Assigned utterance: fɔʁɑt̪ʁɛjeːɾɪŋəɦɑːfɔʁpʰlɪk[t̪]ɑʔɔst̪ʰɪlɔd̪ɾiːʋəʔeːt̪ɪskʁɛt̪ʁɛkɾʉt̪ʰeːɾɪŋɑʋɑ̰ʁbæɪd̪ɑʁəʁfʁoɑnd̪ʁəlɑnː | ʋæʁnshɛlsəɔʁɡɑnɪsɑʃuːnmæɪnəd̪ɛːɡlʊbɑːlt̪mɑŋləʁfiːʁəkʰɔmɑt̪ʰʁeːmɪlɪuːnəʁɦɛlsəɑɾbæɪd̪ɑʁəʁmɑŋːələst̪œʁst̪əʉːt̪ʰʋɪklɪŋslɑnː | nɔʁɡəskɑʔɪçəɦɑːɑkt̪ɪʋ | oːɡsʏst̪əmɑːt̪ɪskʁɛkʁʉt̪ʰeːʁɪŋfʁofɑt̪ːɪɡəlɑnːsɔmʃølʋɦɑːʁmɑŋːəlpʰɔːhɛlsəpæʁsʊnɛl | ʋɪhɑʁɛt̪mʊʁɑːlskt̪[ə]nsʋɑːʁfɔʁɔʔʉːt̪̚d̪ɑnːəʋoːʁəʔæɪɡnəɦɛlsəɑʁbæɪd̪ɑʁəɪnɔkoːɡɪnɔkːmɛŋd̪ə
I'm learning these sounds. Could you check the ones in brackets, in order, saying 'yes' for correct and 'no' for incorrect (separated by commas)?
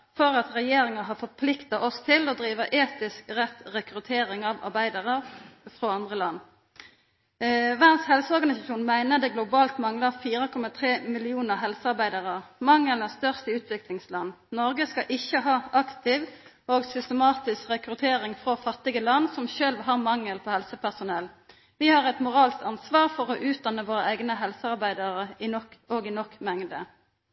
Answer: yes, no